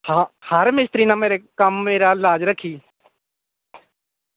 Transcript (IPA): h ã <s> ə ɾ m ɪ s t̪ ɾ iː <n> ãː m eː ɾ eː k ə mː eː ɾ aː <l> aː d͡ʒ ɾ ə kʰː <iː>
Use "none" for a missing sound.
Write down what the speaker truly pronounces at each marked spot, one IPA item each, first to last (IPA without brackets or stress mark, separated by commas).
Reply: h, n, l, iː